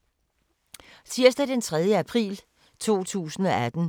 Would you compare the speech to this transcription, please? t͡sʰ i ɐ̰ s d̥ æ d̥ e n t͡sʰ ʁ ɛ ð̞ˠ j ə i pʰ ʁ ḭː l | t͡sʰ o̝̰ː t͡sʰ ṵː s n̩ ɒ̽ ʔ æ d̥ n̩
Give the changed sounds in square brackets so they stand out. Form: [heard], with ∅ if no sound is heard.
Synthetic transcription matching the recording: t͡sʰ i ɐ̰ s d̥ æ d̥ e n t͡sʰ ʁ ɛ ð̞ˠ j ə [æ] pʰ ʁ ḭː l | t͡sʰ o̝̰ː t͡sʰ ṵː s n̩ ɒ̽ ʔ æ d̥ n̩